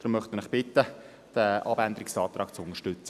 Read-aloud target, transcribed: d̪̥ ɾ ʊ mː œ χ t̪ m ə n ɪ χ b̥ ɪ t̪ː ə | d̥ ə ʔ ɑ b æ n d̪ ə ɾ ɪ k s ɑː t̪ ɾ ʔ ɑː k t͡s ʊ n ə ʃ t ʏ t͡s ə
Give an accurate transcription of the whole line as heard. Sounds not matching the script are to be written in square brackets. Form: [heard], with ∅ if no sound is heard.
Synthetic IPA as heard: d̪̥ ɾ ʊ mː œ χ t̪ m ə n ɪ χ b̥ ɪ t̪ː ə | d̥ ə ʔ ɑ b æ n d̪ ə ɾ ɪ k s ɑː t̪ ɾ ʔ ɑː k t͡s ʊ n ə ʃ t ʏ t͡s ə